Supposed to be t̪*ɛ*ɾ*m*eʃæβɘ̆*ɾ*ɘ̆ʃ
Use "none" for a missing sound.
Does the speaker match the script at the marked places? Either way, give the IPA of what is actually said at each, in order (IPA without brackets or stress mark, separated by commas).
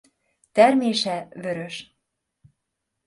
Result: æ, m, ɾ